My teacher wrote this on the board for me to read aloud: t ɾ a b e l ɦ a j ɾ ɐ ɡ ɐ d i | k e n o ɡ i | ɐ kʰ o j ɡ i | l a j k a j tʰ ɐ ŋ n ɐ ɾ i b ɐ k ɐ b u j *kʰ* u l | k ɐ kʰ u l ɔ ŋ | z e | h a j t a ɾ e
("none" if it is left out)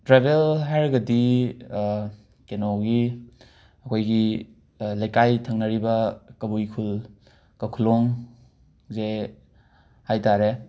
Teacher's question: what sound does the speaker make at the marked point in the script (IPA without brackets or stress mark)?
kʰ